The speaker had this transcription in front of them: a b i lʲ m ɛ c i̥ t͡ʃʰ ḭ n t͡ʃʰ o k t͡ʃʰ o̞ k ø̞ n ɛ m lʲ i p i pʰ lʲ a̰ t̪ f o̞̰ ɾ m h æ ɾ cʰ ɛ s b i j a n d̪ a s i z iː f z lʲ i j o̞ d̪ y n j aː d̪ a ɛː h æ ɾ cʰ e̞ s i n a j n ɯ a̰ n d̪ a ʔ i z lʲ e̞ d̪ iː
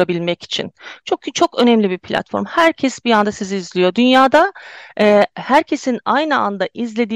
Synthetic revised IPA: a b i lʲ m ɛ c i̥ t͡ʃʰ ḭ n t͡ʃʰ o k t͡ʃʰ o̞ k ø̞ n ɛ m lʲ i b i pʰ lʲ a̰ t̪ f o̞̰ ɾ m h æ ɾ cʰ ɛ s b i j a n d̪ a s i z iː z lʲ i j o̞ d̪ y n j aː d̪ a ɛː h æ ɾ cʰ e̞ s i n a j n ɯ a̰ n d̪ a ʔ i z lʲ e̞ d̪ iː